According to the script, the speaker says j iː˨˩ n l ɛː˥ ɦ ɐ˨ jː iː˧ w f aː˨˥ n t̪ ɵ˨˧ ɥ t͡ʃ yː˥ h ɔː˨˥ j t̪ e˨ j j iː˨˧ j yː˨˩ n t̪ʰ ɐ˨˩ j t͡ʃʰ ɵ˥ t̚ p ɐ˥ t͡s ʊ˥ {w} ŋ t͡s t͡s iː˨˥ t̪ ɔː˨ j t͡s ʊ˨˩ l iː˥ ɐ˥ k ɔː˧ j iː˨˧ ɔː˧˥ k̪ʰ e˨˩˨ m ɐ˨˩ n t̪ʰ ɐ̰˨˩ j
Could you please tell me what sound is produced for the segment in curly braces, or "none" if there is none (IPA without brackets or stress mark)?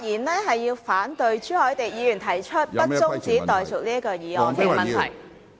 none